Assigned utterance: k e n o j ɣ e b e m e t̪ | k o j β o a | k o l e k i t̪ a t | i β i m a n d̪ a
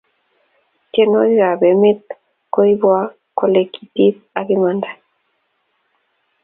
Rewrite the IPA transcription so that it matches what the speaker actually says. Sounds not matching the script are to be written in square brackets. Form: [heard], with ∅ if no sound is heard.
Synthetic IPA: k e n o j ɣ [a] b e m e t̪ | k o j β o a | k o l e k i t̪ [i] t | [a] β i m a n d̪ a